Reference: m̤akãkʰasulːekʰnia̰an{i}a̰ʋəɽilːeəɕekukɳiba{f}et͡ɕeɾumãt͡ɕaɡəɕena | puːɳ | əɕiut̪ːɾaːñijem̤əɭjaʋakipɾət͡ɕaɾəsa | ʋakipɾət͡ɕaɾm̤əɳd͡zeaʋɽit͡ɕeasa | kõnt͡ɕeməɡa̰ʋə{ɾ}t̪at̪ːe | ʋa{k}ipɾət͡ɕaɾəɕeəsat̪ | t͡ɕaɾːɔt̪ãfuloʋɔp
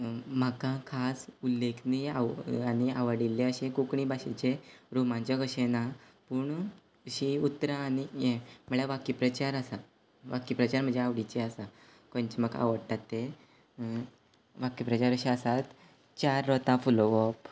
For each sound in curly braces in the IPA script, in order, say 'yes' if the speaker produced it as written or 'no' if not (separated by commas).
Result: yes, no, no, yes